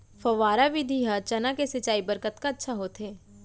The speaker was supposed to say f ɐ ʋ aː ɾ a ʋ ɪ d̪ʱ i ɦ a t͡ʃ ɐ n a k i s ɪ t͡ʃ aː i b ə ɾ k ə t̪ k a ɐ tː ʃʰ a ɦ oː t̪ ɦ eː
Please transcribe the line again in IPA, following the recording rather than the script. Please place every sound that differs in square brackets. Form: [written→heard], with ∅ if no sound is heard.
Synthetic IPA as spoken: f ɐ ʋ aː ɾ a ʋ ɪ d̪ʱ i ɦ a t͡ʃ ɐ n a k [i→e] s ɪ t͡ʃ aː i b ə ɾ k ə t̪ k a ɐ tː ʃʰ a ɦ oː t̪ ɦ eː

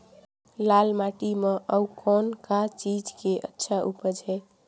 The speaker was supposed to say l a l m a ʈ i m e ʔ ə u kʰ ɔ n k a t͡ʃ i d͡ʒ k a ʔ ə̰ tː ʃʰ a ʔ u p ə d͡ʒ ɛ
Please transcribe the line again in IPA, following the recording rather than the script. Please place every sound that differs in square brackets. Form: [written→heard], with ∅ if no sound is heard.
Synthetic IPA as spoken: l a l m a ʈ i m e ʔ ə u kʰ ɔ n k a t͡ʃ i d͡ʒ k [a→e] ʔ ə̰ tː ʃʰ a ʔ u p ə d͡ʒ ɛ

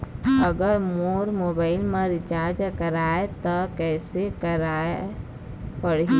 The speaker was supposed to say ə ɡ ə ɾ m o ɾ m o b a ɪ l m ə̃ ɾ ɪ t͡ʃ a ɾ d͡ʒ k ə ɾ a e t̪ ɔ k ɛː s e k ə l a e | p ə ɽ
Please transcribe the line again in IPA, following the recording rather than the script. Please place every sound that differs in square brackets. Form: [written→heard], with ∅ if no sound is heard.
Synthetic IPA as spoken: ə ɡ ə ɾ m o ɾ m o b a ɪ l m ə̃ ɾ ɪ t͡ʃ a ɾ d͡ʒ k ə ɾ a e t̪ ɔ k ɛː s e k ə [l→ɾ] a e | p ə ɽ

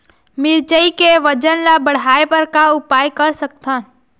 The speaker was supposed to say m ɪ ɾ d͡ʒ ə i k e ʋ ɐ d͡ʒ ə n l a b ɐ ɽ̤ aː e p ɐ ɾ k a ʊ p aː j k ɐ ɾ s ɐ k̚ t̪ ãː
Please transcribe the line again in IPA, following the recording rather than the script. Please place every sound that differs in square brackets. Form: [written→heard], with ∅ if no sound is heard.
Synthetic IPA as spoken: m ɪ ɾ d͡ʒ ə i k e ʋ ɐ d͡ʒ ə n l a b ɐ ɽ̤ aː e p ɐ ɾ k a ʊ p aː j k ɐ ɾ s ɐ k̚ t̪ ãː

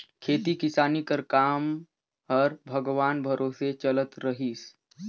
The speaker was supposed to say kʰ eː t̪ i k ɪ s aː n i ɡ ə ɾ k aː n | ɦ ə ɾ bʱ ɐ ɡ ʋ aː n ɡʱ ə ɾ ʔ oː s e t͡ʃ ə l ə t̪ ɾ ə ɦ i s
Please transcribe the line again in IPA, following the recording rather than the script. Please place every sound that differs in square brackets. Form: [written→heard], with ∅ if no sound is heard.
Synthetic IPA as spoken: kʰ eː t̪ i k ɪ s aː n i [ɡ→k] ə ɾ k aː [n→m] | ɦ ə ɾ bʱ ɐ ɡ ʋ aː n [ɡʱ→bʱ] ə ɾ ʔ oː s e t͡ʃ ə l ə t̪ ɾ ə ɦ i s

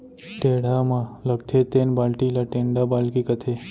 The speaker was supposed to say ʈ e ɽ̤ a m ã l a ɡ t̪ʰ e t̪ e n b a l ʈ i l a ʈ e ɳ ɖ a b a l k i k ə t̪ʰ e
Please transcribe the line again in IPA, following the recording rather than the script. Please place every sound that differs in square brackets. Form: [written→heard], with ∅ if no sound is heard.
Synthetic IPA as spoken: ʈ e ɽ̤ a m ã l [a→ə] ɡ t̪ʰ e t̪ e n b a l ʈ i l a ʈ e ɳ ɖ a b a l k i k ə t̪ʰ e

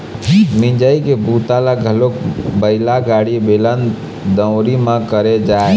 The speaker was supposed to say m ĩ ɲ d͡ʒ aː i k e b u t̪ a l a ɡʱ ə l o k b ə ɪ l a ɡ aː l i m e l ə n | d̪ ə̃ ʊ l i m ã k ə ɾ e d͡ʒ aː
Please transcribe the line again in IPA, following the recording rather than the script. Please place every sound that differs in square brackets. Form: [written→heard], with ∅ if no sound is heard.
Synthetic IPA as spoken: m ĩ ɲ d͡ʒ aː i k e b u t̪ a l a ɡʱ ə l o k b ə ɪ l a ɡ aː [l→ɽ] i [m→b] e l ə n | d̪ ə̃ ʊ [l→ɾ] i m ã k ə ɾ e d͡ʒ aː

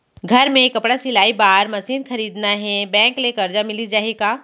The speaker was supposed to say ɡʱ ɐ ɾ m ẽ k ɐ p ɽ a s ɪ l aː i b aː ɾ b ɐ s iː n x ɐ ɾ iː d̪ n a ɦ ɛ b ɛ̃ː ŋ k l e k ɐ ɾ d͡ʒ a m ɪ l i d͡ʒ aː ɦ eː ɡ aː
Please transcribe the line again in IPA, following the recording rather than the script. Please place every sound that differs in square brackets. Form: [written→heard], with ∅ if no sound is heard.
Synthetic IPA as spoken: ɡʱ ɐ ɾ m ẽ k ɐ p ɽ a s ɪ l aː i b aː ɾ [b→m] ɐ s iː n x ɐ ɾ iː d̪ n a ɦ ɛ b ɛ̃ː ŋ k l e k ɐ ɾ d͡ʒ a m ɪ l i d͡ʒ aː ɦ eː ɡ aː

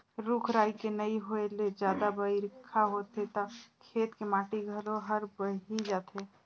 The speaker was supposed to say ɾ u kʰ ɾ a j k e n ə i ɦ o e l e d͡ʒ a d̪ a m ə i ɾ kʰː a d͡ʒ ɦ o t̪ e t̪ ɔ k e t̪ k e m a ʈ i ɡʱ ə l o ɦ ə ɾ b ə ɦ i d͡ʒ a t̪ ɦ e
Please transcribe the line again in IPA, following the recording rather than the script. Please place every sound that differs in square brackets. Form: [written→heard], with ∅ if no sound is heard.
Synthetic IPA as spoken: ɾ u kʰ ɾ a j k e n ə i ɦ o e l e d͡ʒ a d̪ a [m→b] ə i ɾ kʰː a [d͡ʒ→∅] ɦ o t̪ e t̪ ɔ [k→kʰ] e t̪ k e m a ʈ i ɡʱ ə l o ɦ ə ɾ b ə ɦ i d͡ʒ a t̪ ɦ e

